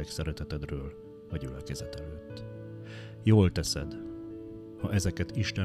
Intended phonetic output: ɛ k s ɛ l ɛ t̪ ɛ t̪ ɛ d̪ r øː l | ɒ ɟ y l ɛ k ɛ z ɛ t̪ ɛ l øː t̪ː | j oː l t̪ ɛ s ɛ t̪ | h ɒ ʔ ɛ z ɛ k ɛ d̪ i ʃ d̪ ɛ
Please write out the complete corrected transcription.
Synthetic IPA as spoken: ɛ k s ɛ ɾ ɛ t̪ ɛ t̪ ɛ d̪ r øː l | ɒ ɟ y l ɛ k ɛ z ɛ t̪ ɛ l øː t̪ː | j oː l t̪ ɛ s ɛ d̪ | h ɒ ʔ ɛ z ɛ k ɛ t̪ i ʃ t̪ ɛ